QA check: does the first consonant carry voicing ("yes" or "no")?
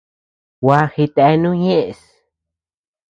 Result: yes